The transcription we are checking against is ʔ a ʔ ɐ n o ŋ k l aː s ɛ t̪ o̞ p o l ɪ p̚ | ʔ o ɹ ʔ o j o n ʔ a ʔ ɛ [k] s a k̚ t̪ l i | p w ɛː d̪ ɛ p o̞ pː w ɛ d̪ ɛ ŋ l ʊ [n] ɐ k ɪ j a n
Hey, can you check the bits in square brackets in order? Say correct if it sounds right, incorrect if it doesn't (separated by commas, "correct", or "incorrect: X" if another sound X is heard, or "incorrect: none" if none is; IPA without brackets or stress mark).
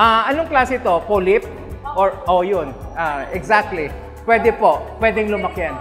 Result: incorrect: ɡ, incorrect: m